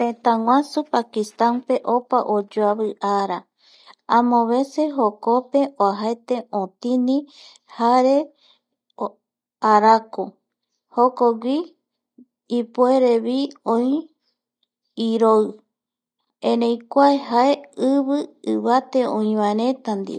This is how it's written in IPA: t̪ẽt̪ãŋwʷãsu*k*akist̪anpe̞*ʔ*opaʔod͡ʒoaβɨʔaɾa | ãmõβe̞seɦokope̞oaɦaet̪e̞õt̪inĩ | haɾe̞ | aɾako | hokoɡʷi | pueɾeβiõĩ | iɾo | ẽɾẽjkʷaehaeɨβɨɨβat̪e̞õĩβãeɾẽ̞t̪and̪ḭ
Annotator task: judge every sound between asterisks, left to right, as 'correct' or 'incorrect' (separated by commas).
incorrect, correct